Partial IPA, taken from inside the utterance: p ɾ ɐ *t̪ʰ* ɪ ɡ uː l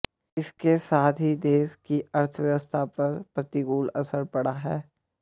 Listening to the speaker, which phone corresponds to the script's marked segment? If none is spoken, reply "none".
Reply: t̪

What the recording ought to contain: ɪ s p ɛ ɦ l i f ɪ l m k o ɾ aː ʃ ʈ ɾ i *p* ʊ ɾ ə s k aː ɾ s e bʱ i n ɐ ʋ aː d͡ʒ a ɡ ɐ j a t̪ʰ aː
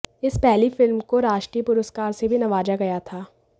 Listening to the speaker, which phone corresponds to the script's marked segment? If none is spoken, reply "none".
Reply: p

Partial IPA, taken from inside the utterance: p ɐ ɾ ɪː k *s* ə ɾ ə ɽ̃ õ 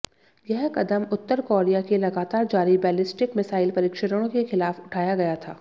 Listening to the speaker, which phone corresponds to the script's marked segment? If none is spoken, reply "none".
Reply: ʃ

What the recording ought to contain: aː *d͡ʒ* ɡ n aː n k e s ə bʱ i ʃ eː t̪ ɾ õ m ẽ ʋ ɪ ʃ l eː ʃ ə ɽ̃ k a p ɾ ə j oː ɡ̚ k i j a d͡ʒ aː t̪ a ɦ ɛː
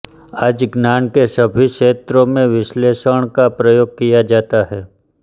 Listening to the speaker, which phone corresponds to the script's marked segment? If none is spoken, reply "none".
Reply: d͡ʒ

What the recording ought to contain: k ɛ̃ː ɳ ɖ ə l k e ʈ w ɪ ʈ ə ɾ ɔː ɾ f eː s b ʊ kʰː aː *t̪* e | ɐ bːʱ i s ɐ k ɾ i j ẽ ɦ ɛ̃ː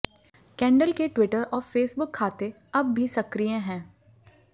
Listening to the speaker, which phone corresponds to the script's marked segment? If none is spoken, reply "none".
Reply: t̪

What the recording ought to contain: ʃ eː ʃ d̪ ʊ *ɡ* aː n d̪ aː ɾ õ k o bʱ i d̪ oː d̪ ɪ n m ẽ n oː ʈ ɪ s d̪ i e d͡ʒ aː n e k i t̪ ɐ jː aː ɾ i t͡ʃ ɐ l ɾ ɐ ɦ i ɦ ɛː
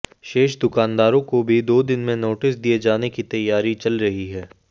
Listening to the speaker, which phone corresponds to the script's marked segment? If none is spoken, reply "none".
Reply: k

